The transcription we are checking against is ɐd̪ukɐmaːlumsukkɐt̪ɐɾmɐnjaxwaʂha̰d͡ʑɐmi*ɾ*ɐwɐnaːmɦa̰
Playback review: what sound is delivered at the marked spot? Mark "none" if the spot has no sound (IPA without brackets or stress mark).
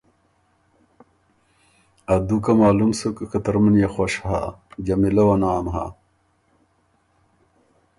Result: l